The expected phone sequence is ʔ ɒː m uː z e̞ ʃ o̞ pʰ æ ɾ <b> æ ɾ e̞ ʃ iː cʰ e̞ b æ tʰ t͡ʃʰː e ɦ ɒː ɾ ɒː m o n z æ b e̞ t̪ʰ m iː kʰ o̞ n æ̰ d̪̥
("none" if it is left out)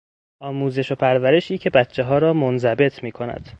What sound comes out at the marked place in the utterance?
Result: v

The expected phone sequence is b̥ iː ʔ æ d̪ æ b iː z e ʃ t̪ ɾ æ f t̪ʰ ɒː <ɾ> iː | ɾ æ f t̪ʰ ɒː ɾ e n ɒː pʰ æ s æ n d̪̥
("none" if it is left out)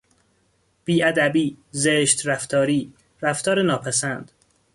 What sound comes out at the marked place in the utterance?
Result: ɾ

